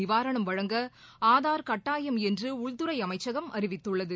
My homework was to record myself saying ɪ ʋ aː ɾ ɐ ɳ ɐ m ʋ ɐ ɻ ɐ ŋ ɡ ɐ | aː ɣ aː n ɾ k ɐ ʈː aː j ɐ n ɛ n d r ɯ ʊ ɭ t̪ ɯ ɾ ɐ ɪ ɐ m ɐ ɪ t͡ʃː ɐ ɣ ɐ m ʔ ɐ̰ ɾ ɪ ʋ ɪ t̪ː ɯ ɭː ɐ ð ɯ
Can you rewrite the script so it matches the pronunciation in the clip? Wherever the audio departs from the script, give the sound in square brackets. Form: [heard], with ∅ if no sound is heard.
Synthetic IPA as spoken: ɪ ʋ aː ɾ ɐ ɳ ɐ m ʋ ɐ ɻ ɐ ŋ ɡ ɐ | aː [ð] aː [∅] ɾ k ɐ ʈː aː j ɐ [m] ɛ n d r ɯ ʊ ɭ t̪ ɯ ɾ ɐ ɪ ɐ m ɐ ɪ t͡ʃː ɐ ɣ ɐ m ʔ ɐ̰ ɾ ɪ ʋ ɪ t̪ː ɯ ɭː ɐ ð ɯ